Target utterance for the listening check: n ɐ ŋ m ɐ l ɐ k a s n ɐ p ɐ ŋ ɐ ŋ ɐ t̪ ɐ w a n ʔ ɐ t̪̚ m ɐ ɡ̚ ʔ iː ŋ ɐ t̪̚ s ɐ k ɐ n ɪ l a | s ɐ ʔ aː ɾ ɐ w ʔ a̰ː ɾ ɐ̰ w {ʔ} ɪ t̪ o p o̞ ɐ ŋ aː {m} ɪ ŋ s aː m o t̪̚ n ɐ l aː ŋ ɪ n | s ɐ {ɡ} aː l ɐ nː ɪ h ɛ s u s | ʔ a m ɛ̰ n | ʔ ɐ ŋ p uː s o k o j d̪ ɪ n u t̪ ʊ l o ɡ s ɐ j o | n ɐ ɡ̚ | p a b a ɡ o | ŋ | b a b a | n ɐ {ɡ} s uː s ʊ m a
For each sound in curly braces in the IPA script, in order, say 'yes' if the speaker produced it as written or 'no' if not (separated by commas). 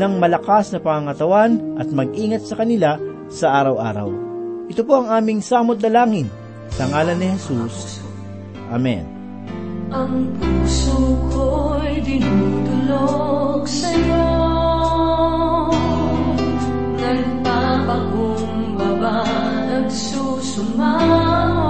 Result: yes, yes, no, yes